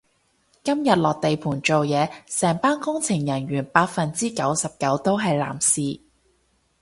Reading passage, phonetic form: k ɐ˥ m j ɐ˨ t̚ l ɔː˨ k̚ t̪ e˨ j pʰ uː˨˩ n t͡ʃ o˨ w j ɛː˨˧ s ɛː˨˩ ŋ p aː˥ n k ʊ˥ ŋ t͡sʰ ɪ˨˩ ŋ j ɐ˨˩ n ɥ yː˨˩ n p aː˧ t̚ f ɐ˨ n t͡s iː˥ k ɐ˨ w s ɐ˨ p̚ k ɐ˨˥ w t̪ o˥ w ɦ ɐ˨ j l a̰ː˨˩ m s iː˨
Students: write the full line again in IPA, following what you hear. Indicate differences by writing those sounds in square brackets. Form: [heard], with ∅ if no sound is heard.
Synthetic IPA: k ɐ˥ m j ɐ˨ t̚ l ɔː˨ k̚ t̪ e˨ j pʰ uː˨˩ n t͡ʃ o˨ w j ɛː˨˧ s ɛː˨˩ ŋ p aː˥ n k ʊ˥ ŋ t͡sʰ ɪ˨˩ ŋ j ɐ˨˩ n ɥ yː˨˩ n p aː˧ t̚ f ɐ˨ n t͡s iː˥ k [ɐ˨˥] w s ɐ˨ p̚ k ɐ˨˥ w t̪ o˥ w ɦ ɐ˨ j l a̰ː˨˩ m s iː˨

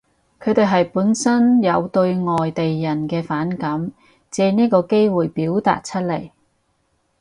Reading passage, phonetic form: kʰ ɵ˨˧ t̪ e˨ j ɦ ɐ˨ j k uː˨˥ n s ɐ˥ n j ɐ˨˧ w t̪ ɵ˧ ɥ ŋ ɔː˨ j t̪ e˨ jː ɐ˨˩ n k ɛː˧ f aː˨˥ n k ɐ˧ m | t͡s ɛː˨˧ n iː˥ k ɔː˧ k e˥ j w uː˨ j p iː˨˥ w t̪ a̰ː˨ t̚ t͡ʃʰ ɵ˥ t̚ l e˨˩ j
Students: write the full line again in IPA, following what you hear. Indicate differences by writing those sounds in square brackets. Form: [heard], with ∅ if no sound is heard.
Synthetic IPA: kʰ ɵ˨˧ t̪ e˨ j ɦ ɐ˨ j [p] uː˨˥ n s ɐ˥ n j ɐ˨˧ w t̪ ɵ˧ ɥ ŋ ɔː˨ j t̪ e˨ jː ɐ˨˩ n k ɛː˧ f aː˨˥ n k [ɐ˨˥] m | t͡s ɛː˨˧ n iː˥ k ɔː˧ k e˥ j w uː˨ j p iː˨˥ w t̪ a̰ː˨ t̚ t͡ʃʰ ɵ˥ t̚ l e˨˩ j

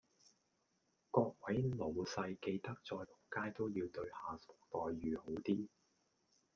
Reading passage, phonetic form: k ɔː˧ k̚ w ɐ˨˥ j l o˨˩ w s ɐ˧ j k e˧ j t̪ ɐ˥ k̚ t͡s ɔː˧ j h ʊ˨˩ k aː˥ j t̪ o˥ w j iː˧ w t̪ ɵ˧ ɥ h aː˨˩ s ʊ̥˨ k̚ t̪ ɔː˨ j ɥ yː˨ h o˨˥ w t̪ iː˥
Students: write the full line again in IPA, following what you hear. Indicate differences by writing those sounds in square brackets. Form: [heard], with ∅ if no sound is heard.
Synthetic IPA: k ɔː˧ k̚ w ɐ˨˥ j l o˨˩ w s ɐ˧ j k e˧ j t̪ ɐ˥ k̚ t͡s ɔː˧ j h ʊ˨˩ k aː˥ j t̪ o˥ w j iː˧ w t̪ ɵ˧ ɥ h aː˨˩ s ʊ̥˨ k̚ t̪ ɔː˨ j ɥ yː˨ h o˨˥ w t̪ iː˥

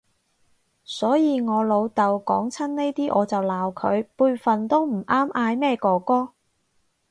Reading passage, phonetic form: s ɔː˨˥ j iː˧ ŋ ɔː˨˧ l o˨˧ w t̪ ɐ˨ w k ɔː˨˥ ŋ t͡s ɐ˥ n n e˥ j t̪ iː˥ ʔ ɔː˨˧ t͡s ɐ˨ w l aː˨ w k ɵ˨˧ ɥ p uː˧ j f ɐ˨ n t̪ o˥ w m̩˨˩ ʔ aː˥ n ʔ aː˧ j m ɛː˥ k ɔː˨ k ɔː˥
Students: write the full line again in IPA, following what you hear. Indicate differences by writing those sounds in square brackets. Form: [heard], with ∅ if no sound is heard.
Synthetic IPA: s ɔː˨˥ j iː˧ ŋ ɔː˨˧ l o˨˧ w t̪ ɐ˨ w k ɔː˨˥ ŋ [t͡sʰ] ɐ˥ n n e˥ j t̪ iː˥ ʔ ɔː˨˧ t͡s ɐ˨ w l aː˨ w [kʰ] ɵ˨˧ ɥ p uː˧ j f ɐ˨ n t̪ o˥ w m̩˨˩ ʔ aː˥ [m] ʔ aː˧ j m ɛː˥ k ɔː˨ k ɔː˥

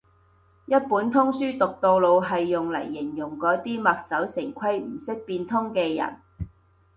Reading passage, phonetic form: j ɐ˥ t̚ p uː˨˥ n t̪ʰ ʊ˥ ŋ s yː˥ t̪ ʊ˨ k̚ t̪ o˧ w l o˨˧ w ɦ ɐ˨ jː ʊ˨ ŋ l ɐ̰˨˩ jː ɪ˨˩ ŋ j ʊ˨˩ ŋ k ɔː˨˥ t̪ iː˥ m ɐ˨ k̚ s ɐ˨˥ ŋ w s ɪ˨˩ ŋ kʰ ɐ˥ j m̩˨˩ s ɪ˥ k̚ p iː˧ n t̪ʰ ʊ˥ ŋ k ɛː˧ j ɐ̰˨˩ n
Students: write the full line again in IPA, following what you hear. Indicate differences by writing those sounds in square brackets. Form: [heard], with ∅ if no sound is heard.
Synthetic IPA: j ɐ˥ t̚ p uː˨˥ n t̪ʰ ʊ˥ ŋ s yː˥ t̪ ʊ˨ k̚ t̪ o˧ w l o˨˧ w ɦ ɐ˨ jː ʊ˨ ŋ l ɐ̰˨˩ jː ɪ˨˩ ŋ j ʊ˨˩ ŋ k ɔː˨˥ t̪ iː˥ m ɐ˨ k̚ s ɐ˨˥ [∅] w s ɪ˨˩ ŋ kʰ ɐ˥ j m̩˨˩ s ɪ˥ k̚ p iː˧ n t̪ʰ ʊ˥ ŋ k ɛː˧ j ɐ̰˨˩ n

